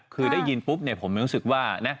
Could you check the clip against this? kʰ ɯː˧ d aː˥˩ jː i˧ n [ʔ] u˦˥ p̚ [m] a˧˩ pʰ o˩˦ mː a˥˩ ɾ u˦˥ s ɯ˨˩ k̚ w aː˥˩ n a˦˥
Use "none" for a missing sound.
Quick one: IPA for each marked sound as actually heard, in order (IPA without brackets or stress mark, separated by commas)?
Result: p, n